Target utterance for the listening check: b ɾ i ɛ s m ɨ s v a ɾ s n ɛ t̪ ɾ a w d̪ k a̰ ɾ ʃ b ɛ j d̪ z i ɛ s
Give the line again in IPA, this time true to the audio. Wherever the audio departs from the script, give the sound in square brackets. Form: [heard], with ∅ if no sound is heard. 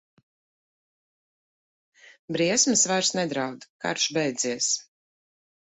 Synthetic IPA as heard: b ɾ i ɛ s m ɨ s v a ɾ s n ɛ [d̪] ɾ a w d̪ k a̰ ɾ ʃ b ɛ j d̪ z i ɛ s